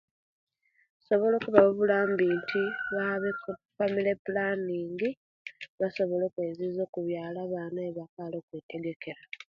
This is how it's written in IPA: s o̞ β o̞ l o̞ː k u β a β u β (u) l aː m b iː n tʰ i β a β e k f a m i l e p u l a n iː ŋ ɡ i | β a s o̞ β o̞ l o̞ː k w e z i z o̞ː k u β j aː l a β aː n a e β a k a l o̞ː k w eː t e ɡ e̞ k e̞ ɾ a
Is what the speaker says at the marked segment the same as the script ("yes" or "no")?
yes